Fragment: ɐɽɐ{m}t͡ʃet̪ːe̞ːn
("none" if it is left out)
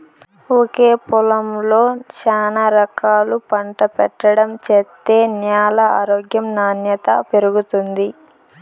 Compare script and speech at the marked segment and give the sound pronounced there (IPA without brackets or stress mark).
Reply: m